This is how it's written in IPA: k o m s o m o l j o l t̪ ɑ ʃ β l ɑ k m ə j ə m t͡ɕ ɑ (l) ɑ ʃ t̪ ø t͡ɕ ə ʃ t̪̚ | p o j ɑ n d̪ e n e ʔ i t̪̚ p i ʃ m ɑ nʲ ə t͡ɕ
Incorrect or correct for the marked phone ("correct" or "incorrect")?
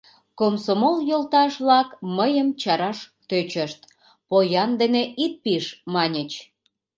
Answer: incorrect